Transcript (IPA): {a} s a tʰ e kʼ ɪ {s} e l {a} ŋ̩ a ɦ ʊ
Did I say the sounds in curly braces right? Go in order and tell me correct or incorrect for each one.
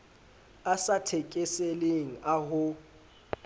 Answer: correct, correct, incorrect

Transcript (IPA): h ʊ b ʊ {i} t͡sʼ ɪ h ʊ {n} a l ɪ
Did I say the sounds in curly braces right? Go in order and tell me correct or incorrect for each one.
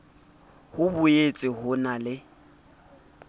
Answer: incorrect, correct

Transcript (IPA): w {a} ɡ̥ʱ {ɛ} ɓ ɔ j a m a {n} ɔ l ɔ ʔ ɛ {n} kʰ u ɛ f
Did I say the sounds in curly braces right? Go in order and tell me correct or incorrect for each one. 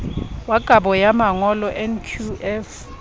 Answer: correct, incorrect, incorrect, correct

